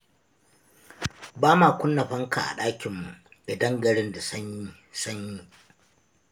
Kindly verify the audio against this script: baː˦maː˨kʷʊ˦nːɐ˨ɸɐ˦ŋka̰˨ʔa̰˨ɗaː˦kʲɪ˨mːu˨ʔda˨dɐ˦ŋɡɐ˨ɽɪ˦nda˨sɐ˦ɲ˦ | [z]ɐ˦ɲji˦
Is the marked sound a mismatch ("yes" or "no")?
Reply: yes